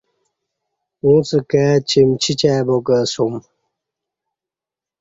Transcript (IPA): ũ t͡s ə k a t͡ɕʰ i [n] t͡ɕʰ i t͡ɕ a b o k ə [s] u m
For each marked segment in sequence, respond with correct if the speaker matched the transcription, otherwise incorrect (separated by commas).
incorrect, correct